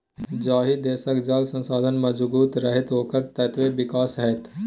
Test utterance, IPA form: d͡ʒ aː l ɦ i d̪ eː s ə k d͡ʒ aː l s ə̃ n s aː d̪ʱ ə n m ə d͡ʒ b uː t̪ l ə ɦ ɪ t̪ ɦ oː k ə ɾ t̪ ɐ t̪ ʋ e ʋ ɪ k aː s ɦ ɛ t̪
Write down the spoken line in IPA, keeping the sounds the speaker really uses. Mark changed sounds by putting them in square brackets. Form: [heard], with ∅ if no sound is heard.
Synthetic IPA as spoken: d͡ʒ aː [∅] ɦ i d̪ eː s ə k d͡ʒ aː l s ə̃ n s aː d̪ʱ ə n m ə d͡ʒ b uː t̪ [ɾ] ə ɦ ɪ t̪ ɦ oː k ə ɾ t̪ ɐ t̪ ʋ e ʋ ɪ k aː s ɦ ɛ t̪